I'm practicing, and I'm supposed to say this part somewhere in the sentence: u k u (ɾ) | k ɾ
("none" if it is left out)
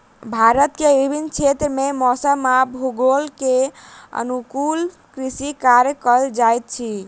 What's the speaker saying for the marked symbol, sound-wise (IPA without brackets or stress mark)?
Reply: l